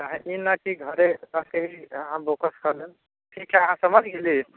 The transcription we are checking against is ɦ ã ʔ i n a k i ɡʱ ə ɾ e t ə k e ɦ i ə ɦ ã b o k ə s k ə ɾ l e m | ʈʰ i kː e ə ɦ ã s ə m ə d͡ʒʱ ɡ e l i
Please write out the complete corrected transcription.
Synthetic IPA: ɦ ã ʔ i n a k i ɡʱ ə ɾ e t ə k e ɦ i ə ɦ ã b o k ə s k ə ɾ l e n | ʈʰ i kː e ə ɦ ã s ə m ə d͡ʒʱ ɡ e l i